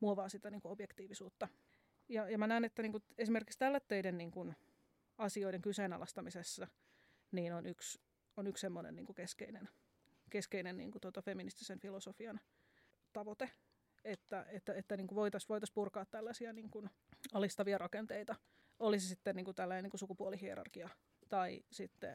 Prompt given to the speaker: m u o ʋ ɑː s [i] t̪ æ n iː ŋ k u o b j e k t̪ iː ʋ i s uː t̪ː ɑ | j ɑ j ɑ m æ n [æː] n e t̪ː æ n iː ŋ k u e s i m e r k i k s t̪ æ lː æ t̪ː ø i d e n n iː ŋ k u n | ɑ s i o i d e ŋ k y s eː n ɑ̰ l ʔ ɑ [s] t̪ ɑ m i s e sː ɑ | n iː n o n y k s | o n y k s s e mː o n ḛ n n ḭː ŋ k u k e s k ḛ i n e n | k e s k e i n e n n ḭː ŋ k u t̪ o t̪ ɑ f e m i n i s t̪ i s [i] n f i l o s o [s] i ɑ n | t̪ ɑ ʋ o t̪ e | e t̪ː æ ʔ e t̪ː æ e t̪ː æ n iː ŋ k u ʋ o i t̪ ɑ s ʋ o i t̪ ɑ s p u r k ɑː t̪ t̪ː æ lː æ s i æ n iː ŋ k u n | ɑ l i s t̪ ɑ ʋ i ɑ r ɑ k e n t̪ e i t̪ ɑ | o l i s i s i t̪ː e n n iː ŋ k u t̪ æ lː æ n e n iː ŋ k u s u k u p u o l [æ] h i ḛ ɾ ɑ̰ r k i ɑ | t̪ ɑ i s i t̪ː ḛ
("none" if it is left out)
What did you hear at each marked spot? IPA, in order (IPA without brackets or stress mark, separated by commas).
i, æː, s, e, f, i